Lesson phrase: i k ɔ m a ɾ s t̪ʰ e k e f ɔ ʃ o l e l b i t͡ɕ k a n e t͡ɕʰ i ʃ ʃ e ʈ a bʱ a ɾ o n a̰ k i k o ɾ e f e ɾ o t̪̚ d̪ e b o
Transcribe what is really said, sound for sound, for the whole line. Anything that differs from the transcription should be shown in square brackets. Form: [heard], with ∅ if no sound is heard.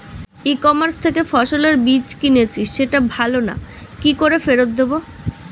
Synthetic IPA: i k ɔ m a ɾ s t̪ʰ e k e f ɔ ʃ o l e [ɾ] b i t͡ɕ k [i] n e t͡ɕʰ i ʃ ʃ e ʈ a bʱ a [l] o n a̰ k i k o ɾ e f e ɾ o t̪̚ d̪ e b o

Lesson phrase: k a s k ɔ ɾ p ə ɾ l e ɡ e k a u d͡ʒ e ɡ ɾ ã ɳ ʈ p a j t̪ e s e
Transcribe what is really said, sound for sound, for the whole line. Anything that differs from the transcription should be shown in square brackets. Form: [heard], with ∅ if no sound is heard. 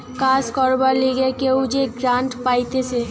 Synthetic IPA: k a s k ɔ ɾ [b] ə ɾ l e ɡ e k [e] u d͡ʒ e ɡ ɾ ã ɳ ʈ p a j t̪ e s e

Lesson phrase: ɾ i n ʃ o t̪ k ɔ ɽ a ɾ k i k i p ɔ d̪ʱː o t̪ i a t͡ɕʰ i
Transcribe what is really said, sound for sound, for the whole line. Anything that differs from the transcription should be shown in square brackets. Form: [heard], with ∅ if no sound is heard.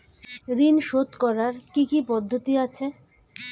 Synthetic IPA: ɾ i n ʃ o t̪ k ɔ [ɾ] a ɾ k i k i p ɔ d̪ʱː o t̪ i a t͡ɕʰ [e]

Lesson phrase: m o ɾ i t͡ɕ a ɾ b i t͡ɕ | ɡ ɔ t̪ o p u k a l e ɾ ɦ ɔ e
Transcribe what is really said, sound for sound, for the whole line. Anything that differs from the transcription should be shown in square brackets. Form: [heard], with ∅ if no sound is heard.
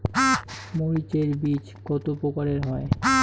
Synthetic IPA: m o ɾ i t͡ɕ [e] ɾ b i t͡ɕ | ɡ ɔ t̪ o p [o] k a [ɾ] e ɾ ɦ ɔ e

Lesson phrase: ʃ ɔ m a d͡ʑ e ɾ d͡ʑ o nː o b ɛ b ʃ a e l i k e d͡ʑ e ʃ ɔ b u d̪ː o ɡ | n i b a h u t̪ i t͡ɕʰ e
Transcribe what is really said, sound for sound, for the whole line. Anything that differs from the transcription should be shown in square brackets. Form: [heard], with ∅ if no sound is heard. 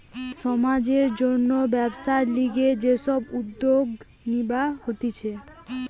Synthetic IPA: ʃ ɔ m a d͡ʑ e ɾ d͡ʑ o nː o b ɛ b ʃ a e l i [ɡ] e d͡ʑ e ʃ ɔ b u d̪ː o ɡ | n i b a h [o] t̪ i t͡ɕʰ e

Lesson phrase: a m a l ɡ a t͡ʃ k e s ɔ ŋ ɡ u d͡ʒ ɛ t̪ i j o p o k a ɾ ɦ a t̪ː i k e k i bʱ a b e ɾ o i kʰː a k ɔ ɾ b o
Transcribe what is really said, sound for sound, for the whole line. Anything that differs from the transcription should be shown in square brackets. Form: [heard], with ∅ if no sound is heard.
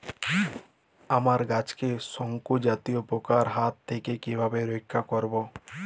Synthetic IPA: a m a [ɾ] ɡ a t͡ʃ k e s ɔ ŋ [k] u d͡ʒ [a] t̪ i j o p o k a ɾ ɦ a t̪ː [e] k e k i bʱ a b e ɾ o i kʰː a k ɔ ɾ b o

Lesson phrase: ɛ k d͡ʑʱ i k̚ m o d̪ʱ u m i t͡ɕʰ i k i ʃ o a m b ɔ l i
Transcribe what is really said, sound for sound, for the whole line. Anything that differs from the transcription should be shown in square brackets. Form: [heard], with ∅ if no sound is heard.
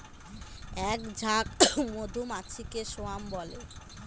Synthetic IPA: ɛ k d͡ʑʱ [a] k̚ m o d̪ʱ u m [a] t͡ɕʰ i k [e] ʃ o a m b ɔ l [e]

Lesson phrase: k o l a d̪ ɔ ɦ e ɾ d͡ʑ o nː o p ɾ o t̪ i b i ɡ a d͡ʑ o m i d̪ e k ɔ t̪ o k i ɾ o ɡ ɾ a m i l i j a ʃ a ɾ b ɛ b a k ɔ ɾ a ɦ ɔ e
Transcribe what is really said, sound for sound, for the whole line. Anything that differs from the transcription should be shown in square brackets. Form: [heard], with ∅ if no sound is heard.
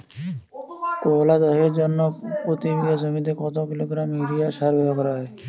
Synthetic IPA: k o l a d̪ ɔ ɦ e ɾ d͡ʑ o nː o p ɾ o t̪ i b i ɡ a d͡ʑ o m i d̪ e k ɔ t̪ o k i [l] o ɡ ɾ a m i [ɾ] i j a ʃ a ɾ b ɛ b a k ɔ ɾ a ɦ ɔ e

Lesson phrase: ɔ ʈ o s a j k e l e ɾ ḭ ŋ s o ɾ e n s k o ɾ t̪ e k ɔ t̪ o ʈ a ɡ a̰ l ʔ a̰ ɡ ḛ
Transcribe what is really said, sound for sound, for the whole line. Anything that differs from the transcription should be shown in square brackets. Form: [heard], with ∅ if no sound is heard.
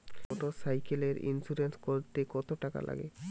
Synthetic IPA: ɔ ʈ o s a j k e l e ɾ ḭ [n] s [u] ɾ e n s k o ɾ t̪ e k ɔ t̪ o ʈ a [k] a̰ l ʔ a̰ ɡ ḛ

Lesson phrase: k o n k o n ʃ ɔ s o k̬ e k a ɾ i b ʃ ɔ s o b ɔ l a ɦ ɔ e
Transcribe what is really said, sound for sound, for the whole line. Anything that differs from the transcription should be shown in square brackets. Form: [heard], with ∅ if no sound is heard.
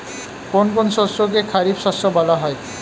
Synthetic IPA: k o n k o n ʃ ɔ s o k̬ e [kʰ] a ɾ i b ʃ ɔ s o b ɔ l a ɦ ɔ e

